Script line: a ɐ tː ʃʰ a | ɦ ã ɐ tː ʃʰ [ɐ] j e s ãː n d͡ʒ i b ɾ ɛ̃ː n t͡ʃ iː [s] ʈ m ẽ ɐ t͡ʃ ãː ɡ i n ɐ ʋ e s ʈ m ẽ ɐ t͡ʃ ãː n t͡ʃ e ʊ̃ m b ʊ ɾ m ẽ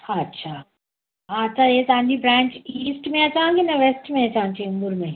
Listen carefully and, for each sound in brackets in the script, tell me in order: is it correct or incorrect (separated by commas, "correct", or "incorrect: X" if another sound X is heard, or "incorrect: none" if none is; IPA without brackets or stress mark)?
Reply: incorrect: a, correct